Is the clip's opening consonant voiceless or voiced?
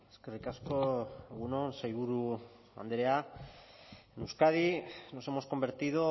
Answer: voiceless